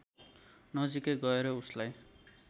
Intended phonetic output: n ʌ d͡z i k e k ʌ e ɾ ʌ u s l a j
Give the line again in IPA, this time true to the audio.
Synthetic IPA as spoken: n ʌ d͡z i k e ɡ ʌ e ɾ ʌ u s l a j